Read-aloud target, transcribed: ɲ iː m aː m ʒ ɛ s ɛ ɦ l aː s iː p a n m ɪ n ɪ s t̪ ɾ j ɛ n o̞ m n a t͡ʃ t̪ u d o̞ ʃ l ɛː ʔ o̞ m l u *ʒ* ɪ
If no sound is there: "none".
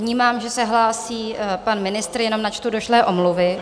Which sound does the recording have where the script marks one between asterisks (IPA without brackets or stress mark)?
v